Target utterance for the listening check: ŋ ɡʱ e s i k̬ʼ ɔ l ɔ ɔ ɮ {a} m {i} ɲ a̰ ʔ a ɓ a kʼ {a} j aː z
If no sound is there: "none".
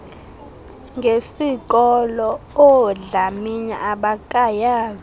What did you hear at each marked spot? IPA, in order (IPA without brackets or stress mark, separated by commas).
a, i, a